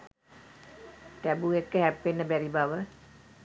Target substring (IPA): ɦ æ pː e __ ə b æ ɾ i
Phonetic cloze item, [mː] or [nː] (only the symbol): nː